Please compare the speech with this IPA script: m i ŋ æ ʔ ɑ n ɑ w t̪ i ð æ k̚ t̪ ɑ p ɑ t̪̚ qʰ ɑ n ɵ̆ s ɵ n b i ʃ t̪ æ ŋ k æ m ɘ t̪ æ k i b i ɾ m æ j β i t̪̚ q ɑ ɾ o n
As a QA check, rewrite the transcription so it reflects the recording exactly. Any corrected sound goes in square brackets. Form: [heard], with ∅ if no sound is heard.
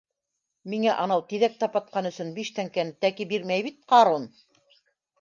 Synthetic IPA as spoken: m i ŋ æ ʔ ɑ n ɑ w t̪ i ð æ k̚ t̪ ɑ p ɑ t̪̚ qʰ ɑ n ɵ̆ s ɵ n b i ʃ t̪ æ ŋ k æ [n] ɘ t̪ æ k i b i ɾ m æ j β i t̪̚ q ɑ ɾ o n